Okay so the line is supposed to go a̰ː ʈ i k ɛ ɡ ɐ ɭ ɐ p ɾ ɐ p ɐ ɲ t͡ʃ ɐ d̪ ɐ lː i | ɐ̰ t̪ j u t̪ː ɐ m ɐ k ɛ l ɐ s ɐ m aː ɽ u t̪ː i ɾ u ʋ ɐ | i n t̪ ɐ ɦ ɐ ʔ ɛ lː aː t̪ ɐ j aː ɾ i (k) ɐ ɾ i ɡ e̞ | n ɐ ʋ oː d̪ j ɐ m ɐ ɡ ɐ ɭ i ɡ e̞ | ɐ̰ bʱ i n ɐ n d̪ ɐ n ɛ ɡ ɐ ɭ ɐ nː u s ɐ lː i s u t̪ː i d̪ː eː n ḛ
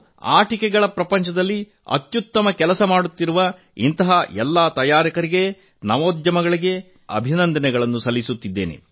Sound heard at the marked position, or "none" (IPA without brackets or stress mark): k